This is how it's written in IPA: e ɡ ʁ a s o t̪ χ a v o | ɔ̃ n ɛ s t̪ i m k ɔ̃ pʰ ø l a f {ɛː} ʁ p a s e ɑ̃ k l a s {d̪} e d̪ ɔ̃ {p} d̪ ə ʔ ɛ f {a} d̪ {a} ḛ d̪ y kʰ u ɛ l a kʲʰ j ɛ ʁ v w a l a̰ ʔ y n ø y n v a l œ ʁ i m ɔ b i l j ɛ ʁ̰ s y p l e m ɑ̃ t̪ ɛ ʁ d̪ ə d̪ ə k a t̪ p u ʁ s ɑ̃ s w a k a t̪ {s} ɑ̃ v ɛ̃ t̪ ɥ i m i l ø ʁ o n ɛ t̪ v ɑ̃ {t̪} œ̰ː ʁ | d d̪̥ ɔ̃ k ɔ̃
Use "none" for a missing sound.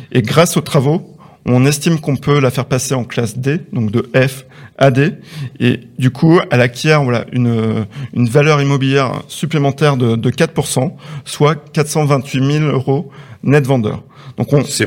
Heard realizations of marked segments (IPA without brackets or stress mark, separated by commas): ɛ, d̪, k, a, e, s, d̪